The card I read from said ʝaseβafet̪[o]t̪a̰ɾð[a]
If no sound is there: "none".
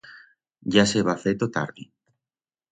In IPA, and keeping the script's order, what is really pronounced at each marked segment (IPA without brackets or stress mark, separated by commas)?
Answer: o, i